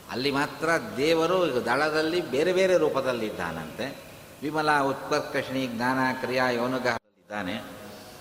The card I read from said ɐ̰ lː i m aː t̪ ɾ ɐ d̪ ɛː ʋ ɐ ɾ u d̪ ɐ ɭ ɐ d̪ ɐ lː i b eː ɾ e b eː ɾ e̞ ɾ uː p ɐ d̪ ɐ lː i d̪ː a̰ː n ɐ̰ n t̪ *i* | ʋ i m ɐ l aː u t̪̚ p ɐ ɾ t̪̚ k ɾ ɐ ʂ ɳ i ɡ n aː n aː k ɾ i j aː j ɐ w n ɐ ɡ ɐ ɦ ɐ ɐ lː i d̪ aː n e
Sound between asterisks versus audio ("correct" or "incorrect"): incorrect